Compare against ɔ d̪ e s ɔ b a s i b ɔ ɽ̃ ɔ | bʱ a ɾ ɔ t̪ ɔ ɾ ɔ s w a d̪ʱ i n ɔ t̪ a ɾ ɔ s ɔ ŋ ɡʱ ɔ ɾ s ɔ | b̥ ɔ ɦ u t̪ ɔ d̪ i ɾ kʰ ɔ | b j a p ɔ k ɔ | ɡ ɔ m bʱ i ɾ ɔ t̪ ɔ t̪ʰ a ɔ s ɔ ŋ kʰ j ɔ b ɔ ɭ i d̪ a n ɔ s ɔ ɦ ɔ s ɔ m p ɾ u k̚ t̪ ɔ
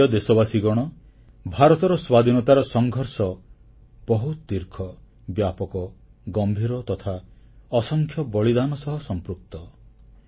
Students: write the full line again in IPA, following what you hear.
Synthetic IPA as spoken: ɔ d̪ e s ɔ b a s i ɡ ɔ ɽ̃ ɔ | bʱ a ɾ ɔ t̪ ɔ ɾ ɔ s w a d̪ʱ i n ɔ t̪ a ɾ ɔ s ɔ ŋ ɡʱ ɔ ɾ s ɔ | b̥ ɔ ɦ u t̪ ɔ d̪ i ɾ kʰ ɔ | b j a p ɔ k ɔ | ɡ ɔ m bʱ i ɾ ɔ t̪ ɔ t̪ʰ a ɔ s ɔ ŋ kʰ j ɔ b ɔ ɭ i d̪ a n ɔ s ɔ ɦ ɔ s ɔ m p ɾ u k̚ t̪ ɔ